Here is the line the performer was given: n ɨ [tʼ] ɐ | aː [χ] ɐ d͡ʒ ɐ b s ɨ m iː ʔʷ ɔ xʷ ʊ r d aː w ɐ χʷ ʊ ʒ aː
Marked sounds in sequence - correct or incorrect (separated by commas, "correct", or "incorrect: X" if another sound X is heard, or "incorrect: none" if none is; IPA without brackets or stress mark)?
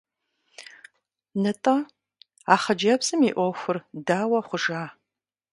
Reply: correct, correct